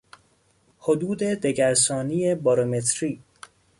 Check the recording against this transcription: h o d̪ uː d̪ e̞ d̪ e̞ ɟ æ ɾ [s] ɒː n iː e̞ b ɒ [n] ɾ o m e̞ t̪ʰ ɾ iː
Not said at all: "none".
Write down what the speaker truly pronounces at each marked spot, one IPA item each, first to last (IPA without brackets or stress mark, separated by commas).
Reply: s, none